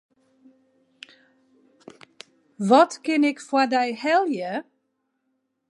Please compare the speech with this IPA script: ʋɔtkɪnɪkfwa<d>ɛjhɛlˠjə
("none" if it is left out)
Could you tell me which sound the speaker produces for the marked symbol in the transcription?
d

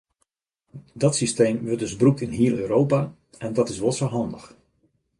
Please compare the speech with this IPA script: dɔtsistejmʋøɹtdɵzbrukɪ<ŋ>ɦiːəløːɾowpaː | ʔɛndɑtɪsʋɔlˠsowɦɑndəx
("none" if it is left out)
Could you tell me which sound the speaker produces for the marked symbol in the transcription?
n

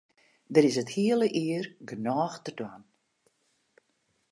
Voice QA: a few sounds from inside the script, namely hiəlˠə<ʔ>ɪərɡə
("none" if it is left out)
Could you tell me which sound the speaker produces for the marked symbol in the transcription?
ʔ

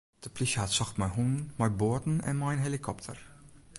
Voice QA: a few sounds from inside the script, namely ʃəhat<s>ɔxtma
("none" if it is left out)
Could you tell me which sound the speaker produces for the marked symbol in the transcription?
s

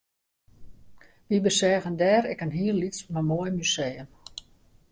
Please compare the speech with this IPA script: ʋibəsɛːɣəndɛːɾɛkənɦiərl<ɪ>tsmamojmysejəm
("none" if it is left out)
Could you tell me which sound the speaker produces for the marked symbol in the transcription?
i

